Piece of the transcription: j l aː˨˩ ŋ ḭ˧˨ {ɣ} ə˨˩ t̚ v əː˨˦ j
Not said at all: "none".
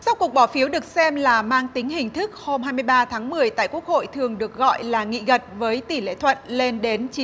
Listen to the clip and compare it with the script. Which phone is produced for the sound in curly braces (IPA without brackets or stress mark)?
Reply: ɣ